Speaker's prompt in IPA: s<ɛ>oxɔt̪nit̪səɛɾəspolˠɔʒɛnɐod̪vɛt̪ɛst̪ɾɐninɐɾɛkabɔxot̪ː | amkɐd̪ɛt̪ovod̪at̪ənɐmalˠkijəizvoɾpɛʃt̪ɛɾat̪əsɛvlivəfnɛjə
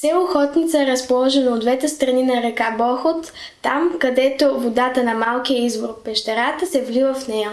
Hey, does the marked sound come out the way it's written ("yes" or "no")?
yes